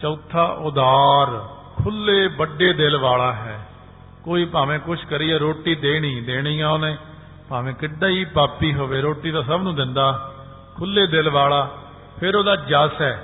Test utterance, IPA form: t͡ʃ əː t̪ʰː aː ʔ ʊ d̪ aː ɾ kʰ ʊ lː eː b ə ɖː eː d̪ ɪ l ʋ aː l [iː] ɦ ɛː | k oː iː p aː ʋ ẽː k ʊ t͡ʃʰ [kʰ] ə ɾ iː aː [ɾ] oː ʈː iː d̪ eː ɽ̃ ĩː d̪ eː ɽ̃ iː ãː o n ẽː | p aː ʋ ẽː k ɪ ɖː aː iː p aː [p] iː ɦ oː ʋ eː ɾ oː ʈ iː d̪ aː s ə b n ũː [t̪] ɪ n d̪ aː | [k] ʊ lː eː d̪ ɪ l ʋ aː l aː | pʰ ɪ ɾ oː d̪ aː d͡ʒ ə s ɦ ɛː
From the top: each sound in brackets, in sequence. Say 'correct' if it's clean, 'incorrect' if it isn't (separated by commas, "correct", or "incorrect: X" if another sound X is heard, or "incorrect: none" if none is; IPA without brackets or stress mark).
incorrect: aː, incorrect: k, correct, correct, incorrect: d̪, incorrect: kʰ